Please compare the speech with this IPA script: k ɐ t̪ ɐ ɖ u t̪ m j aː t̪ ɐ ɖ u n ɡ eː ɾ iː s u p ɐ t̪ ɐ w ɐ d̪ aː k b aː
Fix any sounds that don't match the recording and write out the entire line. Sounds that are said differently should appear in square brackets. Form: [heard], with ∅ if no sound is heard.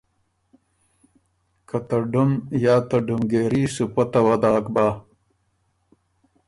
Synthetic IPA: k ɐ t̪ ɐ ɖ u [∅] m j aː t̪ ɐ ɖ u [m] ɡ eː ɾ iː s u p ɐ t̪ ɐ w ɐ d̪ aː k b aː

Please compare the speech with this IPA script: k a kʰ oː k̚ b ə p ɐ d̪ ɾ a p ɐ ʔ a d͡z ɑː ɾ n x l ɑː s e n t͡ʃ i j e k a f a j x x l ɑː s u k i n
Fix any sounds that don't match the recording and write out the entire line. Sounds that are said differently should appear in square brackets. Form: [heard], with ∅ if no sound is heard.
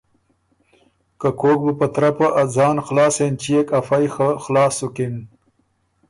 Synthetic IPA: k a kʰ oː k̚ b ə p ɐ [t̪] ɾ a p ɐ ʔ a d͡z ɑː [∅] n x l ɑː s e n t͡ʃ i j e k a f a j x x l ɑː s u k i n

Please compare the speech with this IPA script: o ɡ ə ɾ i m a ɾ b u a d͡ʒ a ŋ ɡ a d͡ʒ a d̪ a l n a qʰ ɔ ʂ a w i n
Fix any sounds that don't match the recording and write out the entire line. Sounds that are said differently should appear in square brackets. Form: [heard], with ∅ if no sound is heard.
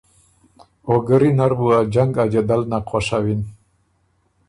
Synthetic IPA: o ɡ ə ɾ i [n] a ɾ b u a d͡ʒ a ŋ ɡ a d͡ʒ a d̪ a l n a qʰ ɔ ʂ a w i n

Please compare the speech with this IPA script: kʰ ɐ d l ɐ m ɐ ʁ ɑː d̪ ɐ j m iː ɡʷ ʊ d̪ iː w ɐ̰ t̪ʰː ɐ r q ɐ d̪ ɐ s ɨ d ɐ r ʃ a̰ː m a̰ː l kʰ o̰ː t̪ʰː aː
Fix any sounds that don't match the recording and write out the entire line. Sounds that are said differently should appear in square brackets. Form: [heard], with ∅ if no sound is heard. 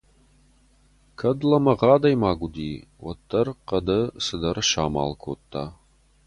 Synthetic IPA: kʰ ɐ d l ɐ m ɐ ʁ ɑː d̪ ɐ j m [aː] ɡʷ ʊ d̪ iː w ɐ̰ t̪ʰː ɐ r q ɐ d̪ ɐ s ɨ d ɐ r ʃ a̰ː m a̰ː l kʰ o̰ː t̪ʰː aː

